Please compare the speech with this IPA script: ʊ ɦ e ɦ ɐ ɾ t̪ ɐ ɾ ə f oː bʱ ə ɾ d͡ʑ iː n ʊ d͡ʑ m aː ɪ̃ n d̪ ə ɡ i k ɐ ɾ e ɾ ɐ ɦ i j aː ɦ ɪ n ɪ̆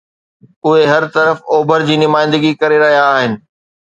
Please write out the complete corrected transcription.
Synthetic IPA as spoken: ʊ ɦ e ɦ ɐ ɾ t̪ ɐ ɾ ə f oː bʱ ə ɾ d͡ʑ iː n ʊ m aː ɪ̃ n d̪ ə ɡ i k ɐ ɾ e ɾ ɐ ɦ i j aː ɦ ɪ n ɪ̆